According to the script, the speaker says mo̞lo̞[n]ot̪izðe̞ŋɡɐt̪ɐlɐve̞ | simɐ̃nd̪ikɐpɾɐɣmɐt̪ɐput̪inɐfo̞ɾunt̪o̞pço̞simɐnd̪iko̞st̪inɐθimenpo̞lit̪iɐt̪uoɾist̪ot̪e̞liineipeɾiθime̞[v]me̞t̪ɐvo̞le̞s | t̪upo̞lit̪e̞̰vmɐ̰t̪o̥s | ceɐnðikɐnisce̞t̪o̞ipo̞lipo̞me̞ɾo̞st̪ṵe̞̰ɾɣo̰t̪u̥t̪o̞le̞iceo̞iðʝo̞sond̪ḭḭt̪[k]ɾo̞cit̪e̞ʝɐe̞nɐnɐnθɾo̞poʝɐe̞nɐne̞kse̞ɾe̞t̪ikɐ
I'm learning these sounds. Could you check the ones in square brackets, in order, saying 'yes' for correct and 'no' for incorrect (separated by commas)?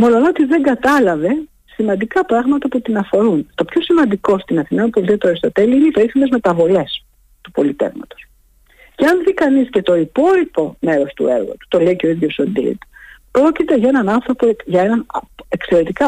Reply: yes, no, no